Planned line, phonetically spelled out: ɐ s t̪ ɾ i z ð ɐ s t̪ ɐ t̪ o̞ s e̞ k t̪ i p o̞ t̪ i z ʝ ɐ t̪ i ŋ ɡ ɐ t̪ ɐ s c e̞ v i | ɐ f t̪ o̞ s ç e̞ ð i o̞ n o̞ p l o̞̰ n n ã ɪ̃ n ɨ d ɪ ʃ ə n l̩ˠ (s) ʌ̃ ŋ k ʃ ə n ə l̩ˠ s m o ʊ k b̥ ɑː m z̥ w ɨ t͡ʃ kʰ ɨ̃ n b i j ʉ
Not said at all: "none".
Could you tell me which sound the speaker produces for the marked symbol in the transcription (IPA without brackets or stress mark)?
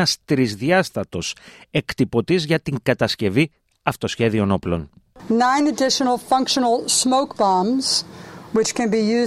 f